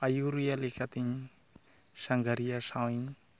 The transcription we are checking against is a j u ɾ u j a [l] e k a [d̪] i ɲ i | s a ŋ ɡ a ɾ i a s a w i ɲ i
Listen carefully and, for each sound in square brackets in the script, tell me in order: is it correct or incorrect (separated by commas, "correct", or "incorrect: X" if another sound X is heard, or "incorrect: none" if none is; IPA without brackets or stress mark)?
correct, incorrect: t̪